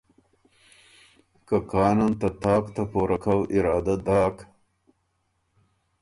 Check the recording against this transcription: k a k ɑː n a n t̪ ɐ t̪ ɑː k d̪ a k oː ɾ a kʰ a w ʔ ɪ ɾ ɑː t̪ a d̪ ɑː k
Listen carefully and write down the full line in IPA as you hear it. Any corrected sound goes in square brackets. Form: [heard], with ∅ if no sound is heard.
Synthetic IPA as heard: k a k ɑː n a n t̪ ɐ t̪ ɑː k [t̪] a [p] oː ɾ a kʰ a w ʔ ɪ ɾ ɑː [d̪] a d̪ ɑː k